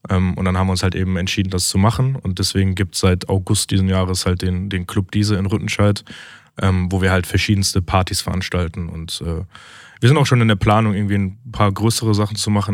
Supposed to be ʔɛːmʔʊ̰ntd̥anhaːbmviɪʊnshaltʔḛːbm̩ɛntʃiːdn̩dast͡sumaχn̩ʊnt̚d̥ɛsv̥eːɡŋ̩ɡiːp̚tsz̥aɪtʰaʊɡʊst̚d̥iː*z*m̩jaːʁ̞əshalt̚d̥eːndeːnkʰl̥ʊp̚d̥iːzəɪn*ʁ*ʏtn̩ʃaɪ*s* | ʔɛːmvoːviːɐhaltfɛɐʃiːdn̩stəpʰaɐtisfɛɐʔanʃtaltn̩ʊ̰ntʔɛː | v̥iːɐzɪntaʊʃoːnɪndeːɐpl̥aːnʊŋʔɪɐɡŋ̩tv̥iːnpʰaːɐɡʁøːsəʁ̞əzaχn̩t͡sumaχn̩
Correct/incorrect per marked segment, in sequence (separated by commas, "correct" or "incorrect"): correct, correct, incorrect